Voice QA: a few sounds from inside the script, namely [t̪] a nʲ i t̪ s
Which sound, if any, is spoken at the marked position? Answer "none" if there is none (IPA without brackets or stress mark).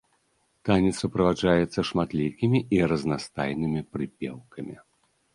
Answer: t̪